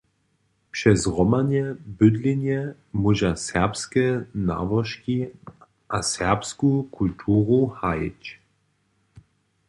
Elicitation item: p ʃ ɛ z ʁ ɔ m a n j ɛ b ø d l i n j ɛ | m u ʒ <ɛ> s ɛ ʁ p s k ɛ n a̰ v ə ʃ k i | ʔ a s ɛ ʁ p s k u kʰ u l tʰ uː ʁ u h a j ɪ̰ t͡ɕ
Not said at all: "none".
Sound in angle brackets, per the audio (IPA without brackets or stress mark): a